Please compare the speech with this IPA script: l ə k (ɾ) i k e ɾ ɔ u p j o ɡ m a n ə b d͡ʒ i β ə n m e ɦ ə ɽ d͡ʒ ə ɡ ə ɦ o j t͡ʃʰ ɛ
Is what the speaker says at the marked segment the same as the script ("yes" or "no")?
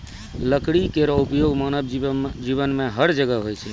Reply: no